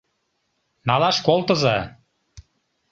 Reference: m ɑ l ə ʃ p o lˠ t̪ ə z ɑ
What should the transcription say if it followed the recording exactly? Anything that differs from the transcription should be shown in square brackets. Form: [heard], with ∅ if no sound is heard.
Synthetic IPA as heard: [n] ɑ l [ɑ] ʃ [k] o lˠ t̪ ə z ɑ